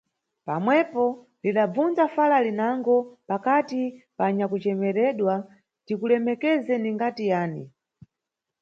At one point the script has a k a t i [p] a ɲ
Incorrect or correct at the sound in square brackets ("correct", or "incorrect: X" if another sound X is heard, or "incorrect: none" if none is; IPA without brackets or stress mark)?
correct